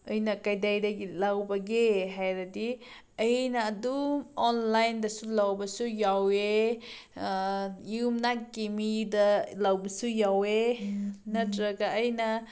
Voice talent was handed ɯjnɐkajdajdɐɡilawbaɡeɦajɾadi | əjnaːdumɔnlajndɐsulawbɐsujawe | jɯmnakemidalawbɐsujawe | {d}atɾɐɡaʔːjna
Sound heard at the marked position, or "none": n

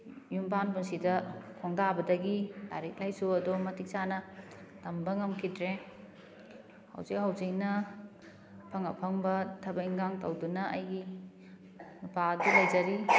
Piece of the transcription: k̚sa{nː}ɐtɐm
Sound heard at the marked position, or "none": n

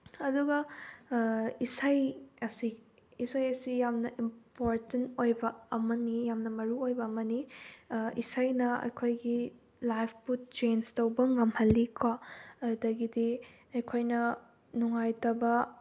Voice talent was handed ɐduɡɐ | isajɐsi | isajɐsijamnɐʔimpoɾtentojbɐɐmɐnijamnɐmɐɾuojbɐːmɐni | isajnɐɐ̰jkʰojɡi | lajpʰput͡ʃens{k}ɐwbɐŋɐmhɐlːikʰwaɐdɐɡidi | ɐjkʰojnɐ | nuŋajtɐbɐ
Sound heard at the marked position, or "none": t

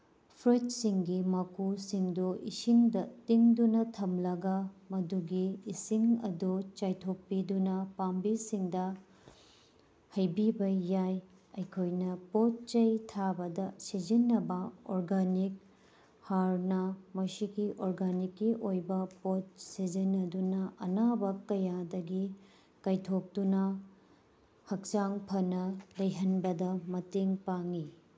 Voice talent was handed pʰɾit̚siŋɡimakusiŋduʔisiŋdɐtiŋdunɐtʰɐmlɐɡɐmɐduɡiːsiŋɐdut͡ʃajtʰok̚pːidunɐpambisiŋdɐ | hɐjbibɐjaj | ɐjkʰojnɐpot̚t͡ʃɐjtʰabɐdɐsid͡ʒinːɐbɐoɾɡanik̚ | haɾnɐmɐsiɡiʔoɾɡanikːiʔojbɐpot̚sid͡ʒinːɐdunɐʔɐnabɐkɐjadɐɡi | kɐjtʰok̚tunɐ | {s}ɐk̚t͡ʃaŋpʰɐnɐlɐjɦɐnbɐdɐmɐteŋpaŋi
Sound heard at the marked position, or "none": h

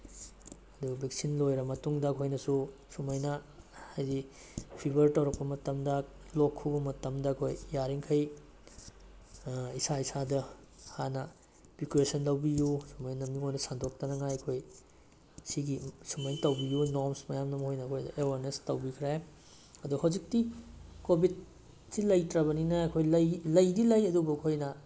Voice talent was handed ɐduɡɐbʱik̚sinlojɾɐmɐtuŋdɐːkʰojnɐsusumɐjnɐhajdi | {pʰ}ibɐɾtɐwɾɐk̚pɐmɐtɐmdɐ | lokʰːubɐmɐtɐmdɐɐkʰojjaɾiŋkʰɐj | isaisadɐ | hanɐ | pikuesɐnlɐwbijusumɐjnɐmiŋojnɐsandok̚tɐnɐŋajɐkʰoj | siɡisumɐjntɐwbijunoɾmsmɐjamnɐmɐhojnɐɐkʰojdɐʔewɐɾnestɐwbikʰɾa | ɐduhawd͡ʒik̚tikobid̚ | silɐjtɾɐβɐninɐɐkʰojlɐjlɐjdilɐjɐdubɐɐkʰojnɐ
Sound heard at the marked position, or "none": pʰ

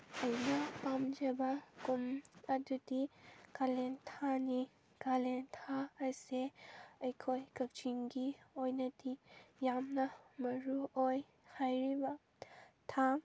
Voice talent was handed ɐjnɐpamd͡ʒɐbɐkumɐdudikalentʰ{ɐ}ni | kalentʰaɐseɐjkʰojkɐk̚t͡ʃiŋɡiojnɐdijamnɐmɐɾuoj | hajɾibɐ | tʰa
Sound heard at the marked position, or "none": a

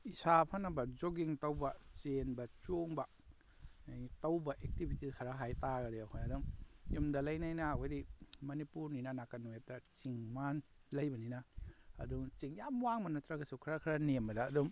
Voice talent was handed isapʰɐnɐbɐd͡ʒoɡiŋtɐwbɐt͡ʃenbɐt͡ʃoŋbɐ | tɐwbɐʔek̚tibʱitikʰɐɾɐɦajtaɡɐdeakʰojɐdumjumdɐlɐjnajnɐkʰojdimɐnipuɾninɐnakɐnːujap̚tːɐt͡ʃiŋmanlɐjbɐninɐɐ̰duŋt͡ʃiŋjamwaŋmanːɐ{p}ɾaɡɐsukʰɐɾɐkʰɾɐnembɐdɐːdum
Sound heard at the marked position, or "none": t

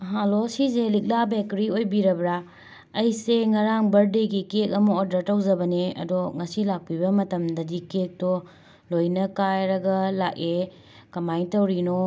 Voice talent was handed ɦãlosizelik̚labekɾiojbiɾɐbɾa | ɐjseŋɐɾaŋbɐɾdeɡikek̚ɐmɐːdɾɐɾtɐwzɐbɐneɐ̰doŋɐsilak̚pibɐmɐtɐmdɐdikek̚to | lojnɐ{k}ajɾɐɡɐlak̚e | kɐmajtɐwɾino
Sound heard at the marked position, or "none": k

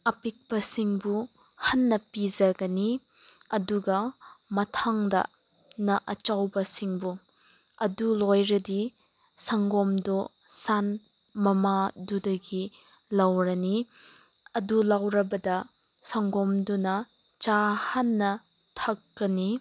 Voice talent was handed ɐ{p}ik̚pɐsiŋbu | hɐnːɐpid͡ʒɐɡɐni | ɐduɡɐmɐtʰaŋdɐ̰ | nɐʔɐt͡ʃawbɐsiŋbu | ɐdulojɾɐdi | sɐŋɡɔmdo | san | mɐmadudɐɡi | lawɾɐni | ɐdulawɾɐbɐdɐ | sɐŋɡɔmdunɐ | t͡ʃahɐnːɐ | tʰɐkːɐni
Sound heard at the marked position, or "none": p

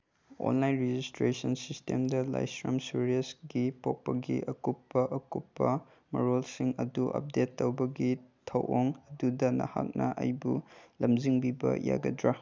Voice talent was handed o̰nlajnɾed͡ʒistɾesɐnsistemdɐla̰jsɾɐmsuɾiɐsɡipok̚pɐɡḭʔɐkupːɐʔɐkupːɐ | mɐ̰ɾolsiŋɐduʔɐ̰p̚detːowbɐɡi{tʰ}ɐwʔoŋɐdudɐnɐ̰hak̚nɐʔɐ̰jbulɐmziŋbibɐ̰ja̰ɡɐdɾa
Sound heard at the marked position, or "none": tʰ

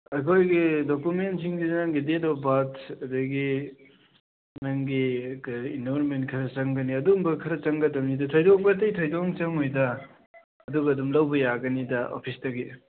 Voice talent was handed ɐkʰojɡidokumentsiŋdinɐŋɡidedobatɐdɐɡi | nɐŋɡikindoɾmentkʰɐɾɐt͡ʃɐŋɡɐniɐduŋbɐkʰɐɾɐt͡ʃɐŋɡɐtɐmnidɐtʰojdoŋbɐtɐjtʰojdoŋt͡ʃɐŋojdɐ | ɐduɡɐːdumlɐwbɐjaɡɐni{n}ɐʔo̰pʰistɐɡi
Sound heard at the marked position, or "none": d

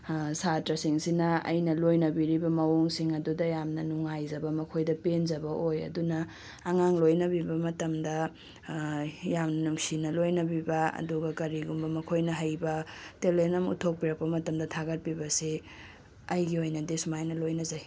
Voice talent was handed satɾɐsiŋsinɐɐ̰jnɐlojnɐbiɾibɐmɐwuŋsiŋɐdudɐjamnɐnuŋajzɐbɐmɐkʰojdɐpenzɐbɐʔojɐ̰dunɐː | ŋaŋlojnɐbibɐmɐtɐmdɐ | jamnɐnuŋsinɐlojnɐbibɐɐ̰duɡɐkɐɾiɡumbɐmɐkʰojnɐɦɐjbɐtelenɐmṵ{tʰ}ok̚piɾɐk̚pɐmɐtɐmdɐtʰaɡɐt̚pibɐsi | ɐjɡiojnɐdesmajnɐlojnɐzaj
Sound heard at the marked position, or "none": tʰ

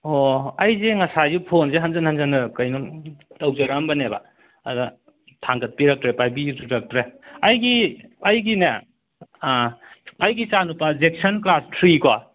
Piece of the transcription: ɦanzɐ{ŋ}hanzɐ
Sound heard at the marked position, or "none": n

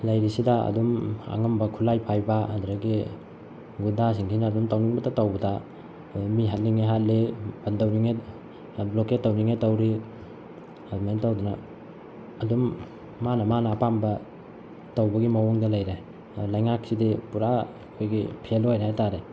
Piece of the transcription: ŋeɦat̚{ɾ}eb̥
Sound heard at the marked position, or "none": l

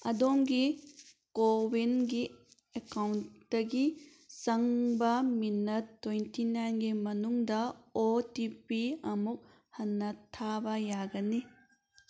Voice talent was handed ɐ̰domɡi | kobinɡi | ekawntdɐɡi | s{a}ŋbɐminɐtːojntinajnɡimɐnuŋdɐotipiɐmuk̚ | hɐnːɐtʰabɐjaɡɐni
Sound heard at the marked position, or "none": ɐ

